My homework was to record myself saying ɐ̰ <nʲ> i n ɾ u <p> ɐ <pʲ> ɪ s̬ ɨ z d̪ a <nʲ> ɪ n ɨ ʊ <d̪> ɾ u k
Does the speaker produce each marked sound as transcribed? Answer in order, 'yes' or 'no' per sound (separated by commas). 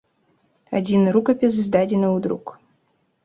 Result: no, no, yes, no, yes